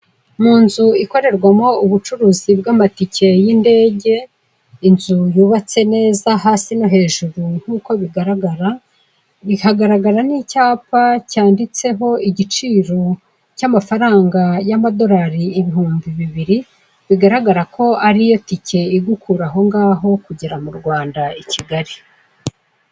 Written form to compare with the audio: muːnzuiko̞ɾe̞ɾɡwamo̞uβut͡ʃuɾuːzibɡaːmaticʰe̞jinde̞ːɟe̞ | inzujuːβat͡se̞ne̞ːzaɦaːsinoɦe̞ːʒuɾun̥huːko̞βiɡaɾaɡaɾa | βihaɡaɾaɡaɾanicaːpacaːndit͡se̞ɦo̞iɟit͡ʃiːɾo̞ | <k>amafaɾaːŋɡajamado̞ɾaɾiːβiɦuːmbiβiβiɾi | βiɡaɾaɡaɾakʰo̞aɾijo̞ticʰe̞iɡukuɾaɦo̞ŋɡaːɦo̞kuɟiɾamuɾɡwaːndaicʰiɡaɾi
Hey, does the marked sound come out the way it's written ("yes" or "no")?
no